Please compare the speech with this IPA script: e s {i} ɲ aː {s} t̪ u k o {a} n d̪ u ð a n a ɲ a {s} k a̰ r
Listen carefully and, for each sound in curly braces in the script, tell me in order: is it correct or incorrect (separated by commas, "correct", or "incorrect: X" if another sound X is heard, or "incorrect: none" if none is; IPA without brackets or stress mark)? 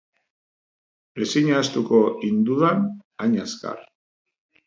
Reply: correct, correct, incorrect: i, correct